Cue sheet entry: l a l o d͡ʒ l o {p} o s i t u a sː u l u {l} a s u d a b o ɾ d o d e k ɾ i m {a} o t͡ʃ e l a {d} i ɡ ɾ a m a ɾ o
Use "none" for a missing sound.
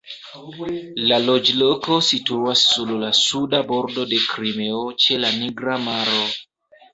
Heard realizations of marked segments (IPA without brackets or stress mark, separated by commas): k, l, e, n